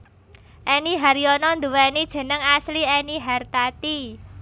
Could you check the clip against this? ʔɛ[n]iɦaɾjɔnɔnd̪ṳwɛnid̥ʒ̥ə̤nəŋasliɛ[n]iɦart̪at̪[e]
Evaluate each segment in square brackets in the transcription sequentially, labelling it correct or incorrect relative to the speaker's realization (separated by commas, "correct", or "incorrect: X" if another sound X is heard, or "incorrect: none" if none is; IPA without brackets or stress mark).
correct, correct, incorrect: i